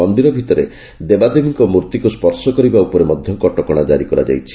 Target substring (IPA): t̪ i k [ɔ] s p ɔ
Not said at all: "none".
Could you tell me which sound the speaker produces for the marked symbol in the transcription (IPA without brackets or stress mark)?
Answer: u